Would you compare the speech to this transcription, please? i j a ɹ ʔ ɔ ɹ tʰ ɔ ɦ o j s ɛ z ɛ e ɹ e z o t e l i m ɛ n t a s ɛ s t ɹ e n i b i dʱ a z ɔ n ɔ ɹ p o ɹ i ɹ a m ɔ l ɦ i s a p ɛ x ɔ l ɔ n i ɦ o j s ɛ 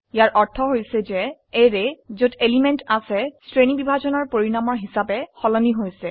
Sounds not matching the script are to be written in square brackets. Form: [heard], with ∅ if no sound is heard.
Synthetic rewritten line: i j a ɹ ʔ ɔ ɹ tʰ ɔ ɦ o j s ɛ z ɛ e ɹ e z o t e l i m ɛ n t a s ɛ s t ɹ e n i b i [bʱ] a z ɔ n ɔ ɹ p o ɹ i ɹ a m ɔ [ɹ] ɦ i s a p ɛ x ɔ l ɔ n i ɦ o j s ɛ

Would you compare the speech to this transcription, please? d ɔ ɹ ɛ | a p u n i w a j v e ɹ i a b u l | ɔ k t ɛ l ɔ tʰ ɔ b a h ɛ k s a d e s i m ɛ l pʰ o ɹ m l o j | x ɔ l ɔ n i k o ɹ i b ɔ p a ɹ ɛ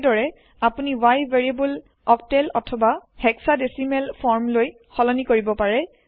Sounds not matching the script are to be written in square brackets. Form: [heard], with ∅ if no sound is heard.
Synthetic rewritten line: d ɔ ɹ ɛ | a p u n i w a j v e ɹ i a b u l | ɔ k t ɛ l ɔ tʰ ɔ b a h ɛ k s a d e s i m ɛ l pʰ [ɔ] ɹ m l o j | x ɔ l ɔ n i k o ɹ i b ɔ p a ɹ ɛ

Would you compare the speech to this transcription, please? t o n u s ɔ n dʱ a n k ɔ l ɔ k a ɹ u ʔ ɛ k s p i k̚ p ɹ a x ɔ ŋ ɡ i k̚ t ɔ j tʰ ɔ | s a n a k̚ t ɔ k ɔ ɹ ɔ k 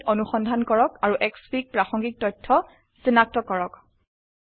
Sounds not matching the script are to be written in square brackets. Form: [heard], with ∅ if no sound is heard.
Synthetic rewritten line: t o n u [x] ɔ n dʱ a n k ɔ [ɹ] ɔ k a ɹ u ʔ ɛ k s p i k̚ p ɹ a x ɔ ŋ ɡ i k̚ t ɔ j tʰ ɔ | s [i] n a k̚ t ɔ k ɔ ɹ ɔ k

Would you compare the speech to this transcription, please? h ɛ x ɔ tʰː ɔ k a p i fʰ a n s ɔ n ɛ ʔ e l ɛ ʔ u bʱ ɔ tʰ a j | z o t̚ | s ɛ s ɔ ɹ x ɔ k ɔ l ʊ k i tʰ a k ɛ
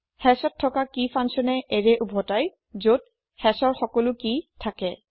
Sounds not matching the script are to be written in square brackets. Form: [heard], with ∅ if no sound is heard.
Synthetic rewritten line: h ɛ [s] ɔ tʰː ɔ k a [k] i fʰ a n s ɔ n ɛ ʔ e [ɹ] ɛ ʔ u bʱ ɔ [t] a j | z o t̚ | [h] ɛ s ɔ ɹ x ɔ k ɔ l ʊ k i tʰ a k ɛ

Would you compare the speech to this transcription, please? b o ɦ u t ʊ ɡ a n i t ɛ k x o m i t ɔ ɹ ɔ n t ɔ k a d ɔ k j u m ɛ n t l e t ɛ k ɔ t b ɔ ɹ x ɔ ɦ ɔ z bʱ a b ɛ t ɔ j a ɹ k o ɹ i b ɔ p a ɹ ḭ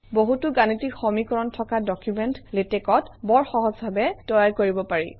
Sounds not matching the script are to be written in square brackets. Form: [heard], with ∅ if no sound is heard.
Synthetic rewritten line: b o ɦ u t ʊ ɡ a n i t [i] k x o m i [k] ɔ ɹ ɔ n [tʰ] ɔ k a d ɔ k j u m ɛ n t l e t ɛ k ɔ t b ɔ ɹ x ɔ ɦ ɔ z bʱ a b ɛ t ɔ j a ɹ k o ɹ i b ɔ p a ɹ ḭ

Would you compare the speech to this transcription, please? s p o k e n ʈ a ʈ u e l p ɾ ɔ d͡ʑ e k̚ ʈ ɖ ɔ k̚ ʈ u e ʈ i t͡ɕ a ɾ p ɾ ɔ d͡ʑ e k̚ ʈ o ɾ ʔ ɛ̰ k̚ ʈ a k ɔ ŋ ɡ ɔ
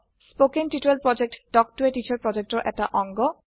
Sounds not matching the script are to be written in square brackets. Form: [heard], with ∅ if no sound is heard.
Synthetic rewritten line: s p o k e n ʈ [i] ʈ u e l p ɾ ɔ d͡ʑ e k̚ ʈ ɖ ɔ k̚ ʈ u e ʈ i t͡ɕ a ɾ p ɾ ɔ d͡ʑ e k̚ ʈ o ɾ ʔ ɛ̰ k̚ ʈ a [ʔ] ɔ ŋ ɡ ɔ

